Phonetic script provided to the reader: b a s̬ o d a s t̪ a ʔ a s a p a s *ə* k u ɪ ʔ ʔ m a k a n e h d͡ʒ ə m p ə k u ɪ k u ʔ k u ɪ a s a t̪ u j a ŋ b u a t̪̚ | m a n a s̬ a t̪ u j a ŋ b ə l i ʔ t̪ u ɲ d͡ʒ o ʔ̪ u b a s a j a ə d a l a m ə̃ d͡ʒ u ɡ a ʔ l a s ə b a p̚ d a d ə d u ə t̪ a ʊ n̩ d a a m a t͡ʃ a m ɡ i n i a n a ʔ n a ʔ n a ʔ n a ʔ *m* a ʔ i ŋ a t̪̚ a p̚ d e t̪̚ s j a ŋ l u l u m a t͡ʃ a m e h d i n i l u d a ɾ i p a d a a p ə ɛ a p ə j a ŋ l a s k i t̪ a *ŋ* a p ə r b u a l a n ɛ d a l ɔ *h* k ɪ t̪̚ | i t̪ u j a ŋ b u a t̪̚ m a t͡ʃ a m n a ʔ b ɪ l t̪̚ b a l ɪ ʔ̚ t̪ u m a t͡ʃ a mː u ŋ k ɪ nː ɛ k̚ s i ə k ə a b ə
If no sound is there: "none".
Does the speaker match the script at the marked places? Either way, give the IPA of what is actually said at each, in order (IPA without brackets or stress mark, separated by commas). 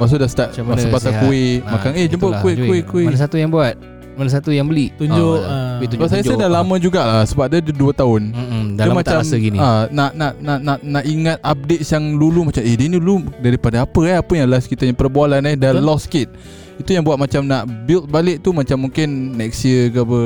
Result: a, n, ɲ, s